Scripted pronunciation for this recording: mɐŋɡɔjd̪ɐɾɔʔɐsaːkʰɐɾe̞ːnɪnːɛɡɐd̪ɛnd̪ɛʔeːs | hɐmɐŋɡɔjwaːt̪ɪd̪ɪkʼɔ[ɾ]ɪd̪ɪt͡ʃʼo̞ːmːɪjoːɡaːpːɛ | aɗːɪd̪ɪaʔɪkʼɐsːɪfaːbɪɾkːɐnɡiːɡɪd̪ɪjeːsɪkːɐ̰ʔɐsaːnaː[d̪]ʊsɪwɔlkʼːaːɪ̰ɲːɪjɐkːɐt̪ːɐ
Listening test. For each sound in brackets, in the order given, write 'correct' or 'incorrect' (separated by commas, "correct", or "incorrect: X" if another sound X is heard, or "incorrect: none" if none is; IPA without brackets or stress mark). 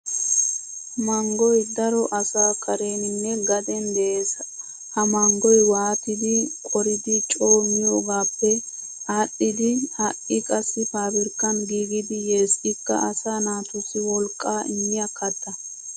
correct, incorrect: t̪